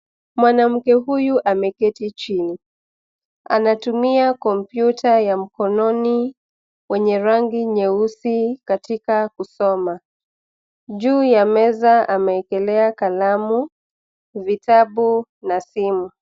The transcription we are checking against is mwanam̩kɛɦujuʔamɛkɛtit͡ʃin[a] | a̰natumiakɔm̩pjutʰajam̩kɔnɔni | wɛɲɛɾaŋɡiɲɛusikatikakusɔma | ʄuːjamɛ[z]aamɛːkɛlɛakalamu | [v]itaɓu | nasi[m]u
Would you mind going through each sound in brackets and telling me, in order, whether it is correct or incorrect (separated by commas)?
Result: incorrect, correct, correct, correct